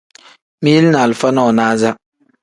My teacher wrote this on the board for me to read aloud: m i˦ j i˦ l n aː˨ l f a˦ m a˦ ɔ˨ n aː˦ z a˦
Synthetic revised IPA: m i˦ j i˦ l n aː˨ l f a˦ n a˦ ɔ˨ n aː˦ z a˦